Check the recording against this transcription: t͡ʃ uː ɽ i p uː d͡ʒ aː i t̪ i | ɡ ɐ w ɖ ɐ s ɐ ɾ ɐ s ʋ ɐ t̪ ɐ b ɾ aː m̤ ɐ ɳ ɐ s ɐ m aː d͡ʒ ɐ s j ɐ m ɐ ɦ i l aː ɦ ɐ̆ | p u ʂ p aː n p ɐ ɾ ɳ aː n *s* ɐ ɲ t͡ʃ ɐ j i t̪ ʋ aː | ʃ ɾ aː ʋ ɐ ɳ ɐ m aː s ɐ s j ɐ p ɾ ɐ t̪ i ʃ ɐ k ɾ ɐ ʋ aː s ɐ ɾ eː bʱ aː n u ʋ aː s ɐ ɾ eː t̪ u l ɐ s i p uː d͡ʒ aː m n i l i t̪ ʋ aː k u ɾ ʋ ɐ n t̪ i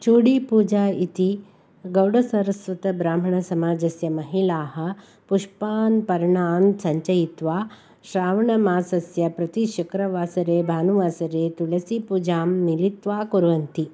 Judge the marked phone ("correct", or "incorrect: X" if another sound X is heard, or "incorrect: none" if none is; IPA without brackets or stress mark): correct